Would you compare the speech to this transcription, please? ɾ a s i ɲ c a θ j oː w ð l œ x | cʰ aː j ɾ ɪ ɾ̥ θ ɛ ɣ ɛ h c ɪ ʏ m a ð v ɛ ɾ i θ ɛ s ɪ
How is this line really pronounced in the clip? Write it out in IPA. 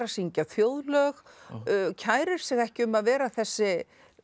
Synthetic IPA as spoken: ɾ a s i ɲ c a θ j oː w ð l œ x | cʰ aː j ɾ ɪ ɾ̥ s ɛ ɣ ɛ h c ɪ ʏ m a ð v ɛː ɾ a θ ɛ sː ɪ